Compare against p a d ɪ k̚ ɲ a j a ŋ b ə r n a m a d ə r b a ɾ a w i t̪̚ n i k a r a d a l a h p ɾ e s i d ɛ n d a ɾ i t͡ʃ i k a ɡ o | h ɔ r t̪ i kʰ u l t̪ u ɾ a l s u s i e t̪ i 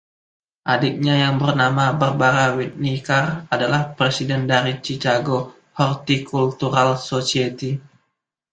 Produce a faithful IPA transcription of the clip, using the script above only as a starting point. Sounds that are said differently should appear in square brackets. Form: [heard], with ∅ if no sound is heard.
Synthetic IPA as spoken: [ʔ] a d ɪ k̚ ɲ a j a ŋ b ə r n a m a [b] ə r b a ɾ a w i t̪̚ n i k a r a d a l a h p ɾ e s i d ɛ n d a ɾ i t͡ʃ i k a ɡ o | h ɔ r t̪ i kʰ u l t̪ u ɾ a l s [o] s i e t̪ i

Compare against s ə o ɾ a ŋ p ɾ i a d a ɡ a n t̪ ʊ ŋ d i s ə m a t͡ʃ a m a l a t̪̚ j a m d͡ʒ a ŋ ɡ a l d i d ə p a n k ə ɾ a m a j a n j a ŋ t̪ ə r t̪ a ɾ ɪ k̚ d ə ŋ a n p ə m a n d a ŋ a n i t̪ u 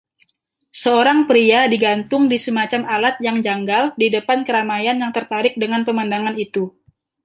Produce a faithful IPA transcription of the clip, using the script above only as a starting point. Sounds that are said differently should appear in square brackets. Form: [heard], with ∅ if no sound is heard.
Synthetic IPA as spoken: s ə o ɾ a ŋ p ɾ i a d [i] ɡ a n t̪ ʊ ŋ d i s ə m a t͡ʃ a m a l a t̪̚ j a [ŋ] d͡ʒ a ŋ ɡ a l d i d ə p a n k ə ɾ a m a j a n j a ŋ t̪ ə r t̪ a ɾ ɪ k̚ d ə ŋ a n p ə m a n d a ŋ a n i t̪ u

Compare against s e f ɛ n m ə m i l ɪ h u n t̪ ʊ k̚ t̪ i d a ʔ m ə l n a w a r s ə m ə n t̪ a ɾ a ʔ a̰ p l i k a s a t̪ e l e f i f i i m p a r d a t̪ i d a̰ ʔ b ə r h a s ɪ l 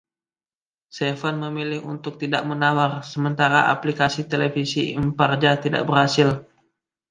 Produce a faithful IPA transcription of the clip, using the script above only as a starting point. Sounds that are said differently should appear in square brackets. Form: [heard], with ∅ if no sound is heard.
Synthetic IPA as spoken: s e f [a] n m ə m i l ɪ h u n t̪ ʊ k̚ t̪ i d a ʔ m ə [∅] n a w a r s ə m ə n t̪ a ɾ a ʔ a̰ p l i k a s [i] t̪ e l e f i [s] i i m p a r [d͡ʒ] a t̪ i d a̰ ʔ b ə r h a s ɪ l

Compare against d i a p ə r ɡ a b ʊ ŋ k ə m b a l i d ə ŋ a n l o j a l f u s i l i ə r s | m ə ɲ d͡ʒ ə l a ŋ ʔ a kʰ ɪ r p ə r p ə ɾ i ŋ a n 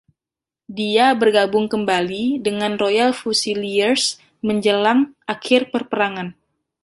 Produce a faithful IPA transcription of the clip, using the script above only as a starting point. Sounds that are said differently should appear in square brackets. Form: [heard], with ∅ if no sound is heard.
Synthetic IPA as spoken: d i a [b] ə r ɡ a b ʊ ŋ k ə m b a l i d ə ŋ a n [r] o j a l f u s i l i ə r s | m ə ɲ d͡ʒ ə l a ŋ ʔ a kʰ ɪ r p ə r p ə ɾ [a] ŋ a n

